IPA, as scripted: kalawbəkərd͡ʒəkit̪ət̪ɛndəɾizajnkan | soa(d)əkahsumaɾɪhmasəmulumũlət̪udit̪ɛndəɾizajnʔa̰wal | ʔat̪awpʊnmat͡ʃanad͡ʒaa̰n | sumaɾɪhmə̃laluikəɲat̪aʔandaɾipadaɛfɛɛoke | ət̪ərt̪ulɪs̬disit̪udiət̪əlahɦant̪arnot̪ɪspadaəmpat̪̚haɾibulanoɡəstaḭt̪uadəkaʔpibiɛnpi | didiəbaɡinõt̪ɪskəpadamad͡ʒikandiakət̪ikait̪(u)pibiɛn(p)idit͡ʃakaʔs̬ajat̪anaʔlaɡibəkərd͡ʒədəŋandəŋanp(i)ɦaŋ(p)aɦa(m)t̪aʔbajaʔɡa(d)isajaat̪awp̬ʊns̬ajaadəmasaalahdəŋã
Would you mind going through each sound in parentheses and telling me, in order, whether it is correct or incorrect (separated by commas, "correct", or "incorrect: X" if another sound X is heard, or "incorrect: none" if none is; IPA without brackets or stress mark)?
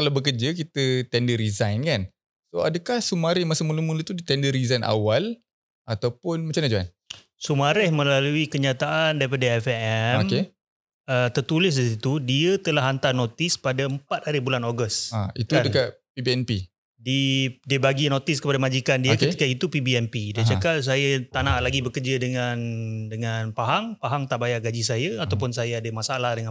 correct, correct, correct, incorrect: a, correct, incorrect: ŋ, incorrect: d͡ʒ